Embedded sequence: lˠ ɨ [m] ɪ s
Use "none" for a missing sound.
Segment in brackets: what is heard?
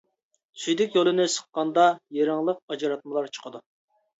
n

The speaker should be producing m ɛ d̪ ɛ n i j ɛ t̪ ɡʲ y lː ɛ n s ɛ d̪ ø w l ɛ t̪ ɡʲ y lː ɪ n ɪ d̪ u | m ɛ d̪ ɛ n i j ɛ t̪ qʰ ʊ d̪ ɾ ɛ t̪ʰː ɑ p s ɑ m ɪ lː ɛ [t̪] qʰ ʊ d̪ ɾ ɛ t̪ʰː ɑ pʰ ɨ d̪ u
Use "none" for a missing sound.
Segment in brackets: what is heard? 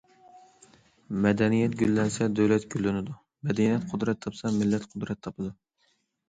t̪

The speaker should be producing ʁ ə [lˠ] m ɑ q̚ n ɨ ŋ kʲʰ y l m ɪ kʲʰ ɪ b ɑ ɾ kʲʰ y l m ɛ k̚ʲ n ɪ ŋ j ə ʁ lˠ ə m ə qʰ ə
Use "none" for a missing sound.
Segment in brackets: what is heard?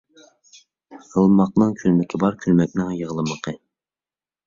lˠ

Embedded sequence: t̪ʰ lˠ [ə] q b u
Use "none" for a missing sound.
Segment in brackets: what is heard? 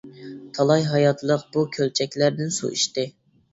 ə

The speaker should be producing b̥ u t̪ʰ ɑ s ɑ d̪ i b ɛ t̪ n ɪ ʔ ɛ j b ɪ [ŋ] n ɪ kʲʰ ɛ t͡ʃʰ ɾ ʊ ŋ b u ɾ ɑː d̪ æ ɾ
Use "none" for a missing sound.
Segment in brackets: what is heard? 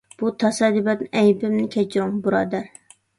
m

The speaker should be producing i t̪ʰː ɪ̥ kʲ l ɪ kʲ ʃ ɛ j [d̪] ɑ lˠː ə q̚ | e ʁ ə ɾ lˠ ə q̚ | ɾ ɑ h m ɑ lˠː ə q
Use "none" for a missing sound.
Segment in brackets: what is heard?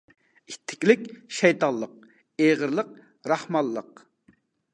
t̪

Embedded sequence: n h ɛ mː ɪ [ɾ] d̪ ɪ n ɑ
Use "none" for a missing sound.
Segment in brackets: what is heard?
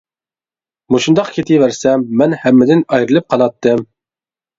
none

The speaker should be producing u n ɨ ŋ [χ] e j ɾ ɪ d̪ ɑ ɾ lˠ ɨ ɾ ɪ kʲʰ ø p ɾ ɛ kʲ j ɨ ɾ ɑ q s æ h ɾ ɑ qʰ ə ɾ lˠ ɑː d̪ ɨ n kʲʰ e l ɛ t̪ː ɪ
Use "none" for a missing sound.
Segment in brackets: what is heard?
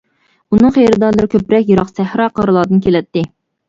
χ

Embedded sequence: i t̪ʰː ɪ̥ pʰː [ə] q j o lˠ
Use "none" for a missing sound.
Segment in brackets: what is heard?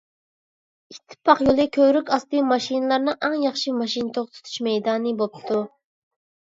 ɑ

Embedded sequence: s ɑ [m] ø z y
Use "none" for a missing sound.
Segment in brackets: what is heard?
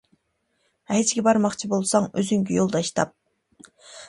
ŋ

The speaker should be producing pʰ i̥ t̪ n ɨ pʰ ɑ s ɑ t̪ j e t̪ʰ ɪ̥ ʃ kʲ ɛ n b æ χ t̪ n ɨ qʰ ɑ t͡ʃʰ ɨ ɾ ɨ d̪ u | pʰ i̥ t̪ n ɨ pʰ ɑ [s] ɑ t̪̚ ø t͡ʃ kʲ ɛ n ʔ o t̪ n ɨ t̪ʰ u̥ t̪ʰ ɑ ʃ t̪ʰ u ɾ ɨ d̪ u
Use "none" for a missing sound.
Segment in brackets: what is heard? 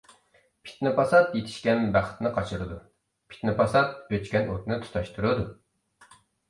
s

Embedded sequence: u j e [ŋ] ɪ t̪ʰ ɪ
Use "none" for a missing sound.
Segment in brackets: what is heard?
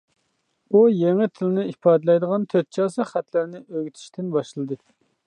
ŋ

